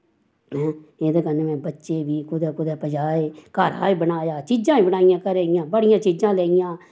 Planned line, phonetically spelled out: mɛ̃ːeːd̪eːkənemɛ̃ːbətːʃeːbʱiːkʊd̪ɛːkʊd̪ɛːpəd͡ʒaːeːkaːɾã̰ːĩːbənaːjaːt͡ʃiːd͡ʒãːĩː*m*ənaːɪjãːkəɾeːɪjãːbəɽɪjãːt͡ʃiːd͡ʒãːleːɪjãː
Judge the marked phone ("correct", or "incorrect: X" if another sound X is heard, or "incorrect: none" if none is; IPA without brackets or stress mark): incorrect: b